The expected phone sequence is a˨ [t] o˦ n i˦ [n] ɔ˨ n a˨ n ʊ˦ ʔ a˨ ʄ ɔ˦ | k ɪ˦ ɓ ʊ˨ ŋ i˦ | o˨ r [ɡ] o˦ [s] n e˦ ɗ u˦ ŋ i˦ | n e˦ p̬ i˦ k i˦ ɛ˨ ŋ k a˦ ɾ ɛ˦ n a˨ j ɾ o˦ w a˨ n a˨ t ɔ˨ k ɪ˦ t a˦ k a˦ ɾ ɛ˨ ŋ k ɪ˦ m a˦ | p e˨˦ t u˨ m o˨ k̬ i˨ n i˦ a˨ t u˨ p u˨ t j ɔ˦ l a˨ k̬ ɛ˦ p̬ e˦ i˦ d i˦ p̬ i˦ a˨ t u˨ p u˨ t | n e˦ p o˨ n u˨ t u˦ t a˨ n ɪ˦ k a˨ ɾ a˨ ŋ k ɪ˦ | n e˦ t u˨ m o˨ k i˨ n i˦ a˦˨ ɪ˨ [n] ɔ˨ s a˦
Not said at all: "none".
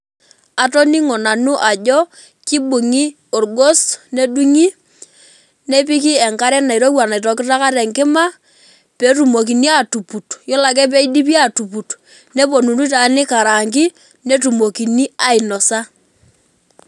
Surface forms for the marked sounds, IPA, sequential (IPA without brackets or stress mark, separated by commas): t, ŋ, ɡ, s, n